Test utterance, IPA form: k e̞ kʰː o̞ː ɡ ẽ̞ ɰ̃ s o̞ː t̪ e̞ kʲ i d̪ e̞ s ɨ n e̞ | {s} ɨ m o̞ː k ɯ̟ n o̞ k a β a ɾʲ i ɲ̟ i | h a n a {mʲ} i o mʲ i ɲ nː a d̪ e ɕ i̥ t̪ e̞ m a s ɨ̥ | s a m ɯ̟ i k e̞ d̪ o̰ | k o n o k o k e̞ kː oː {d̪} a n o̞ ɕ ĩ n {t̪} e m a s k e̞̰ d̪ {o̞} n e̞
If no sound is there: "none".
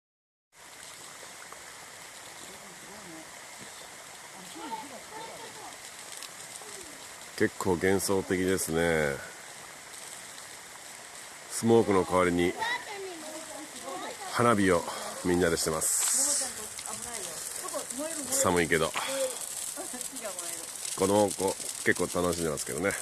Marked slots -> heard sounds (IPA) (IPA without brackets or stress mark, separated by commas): s, bʲ, t̪, d̪, o̞